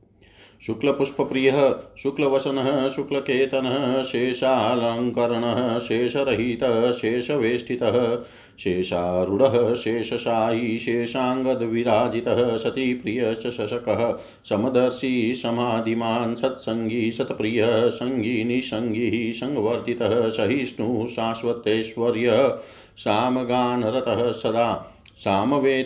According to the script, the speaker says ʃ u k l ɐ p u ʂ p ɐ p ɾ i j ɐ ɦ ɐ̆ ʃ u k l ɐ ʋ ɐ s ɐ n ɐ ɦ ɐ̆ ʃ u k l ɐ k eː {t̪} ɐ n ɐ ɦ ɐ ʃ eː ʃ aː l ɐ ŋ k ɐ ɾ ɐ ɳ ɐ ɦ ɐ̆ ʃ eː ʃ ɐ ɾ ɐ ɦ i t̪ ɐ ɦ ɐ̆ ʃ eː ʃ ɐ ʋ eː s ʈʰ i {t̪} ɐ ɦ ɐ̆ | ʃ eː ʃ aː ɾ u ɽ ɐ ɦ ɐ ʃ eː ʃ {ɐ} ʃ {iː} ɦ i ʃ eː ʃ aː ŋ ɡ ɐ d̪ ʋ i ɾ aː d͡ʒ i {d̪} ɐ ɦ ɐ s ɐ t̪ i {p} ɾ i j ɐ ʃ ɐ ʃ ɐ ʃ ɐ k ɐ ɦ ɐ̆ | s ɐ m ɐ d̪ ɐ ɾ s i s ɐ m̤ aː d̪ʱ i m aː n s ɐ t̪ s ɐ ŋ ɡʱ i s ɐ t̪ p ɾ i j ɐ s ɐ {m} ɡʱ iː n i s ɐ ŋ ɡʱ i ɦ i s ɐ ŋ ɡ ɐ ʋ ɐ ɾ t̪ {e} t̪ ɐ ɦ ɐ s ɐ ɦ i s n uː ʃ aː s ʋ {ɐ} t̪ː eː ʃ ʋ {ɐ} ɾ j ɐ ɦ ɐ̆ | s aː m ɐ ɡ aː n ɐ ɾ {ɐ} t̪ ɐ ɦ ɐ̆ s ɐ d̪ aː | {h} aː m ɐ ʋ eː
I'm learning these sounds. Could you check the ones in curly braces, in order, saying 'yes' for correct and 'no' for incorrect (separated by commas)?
yes, yes, yes, no, no, yes, no, no, yes, yes, yes, no